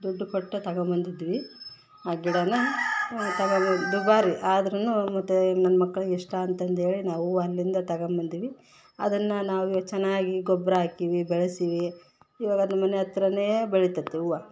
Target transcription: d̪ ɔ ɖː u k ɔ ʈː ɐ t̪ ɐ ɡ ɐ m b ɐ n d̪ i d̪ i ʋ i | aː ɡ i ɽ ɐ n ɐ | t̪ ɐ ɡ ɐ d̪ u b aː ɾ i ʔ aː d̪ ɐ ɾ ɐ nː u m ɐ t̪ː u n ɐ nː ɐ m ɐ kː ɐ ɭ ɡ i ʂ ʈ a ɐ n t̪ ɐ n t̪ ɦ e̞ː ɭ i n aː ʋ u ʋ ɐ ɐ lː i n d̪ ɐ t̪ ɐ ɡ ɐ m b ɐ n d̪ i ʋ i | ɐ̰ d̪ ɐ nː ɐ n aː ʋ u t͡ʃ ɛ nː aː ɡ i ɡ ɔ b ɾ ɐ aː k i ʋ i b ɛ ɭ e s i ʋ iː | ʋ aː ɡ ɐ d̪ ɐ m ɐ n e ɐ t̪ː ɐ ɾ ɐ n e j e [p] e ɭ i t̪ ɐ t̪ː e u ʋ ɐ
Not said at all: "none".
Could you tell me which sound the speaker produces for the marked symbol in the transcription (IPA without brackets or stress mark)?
b